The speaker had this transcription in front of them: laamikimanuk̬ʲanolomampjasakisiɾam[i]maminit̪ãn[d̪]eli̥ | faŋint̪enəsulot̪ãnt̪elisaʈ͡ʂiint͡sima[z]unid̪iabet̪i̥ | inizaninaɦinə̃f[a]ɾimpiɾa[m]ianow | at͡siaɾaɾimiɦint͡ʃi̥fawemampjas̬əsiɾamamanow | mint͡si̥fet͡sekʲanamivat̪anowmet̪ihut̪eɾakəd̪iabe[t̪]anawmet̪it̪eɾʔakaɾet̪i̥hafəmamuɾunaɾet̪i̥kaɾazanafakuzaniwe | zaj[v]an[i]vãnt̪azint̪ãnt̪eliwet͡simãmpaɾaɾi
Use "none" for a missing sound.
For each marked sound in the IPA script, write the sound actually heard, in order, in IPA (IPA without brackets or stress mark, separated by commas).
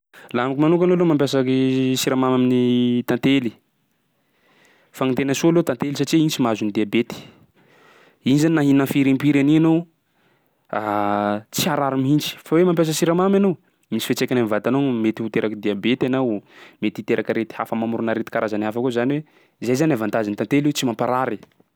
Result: a, t̪, z, i, n, t̪, z, a